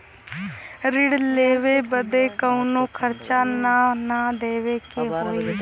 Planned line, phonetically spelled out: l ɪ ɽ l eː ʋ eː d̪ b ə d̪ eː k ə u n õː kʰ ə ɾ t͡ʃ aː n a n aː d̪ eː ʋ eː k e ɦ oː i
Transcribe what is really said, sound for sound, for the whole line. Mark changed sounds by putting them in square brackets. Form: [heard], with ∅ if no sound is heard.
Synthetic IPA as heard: [ɾ] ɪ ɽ l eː ʋ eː [∅] b ə d̪ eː k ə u n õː kʰ ə ɾ t͡ʃ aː n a n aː d̪ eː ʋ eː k e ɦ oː i